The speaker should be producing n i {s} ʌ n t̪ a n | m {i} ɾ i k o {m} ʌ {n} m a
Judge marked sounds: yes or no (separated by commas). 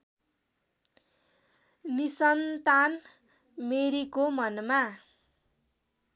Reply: yes, no, yes, yes